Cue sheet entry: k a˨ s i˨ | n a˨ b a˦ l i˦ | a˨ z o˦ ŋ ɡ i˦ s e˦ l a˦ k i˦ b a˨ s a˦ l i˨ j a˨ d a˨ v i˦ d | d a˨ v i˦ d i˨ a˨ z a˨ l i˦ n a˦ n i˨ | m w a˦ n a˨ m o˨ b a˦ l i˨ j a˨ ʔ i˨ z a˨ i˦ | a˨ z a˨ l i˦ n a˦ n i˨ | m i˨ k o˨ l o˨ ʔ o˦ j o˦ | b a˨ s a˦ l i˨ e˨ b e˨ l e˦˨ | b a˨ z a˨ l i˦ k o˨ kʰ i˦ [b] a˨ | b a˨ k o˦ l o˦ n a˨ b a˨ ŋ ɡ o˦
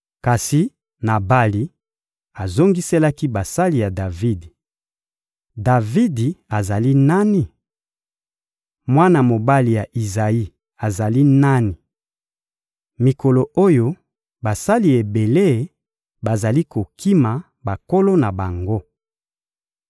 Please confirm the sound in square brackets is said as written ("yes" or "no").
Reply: no